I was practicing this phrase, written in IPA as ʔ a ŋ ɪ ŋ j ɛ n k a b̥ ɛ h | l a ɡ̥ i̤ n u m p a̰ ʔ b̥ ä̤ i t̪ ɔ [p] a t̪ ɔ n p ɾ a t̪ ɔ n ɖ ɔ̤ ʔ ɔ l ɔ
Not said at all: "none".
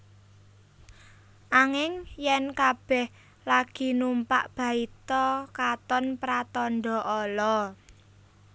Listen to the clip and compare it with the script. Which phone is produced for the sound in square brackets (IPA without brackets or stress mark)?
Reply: k